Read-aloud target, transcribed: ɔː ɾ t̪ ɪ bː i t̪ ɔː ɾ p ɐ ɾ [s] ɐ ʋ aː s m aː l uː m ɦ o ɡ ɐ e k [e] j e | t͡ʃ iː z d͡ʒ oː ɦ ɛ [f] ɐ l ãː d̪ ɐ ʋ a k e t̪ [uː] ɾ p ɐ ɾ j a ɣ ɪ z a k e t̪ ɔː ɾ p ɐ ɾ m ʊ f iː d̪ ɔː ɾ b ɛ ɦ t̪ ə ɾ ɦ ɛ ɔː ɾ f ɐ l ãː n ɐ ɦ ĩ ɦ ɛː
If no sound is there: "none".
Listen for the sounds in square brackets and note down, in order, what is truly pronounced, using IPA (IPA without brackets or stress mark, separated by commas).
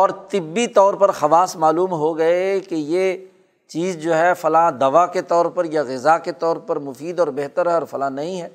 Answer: x, e, f, ɔː